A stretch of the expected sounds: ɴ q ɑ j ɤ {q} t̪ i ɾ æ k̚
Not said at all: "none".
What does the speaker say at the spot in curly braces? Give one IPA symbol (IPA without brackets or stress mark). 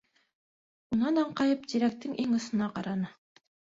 p